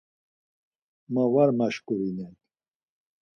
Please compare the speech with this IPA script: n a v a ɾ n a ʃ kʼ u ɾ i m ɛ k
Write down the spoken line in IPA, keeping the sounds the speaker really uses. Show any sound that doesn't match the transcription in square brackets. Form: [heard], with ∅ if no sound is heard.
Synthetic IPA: [m] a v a ɾ [m] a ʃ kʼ u ɾ i [n] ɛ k